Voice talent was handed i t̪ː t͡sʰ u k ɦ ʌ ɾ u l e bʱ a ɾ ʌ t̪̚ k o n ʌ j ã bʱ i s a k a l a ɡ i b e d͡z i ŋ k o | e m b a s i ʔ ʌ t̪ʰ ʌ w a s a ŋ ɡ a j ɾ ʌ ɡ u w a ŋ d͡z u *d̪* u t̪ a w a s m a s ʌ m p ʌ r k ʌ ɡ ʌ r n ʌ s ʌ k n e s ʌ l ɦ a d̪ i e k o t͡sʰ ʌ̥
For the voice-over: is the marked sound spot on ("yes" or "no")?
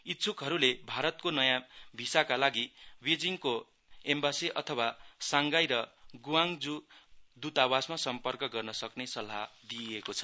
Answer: yes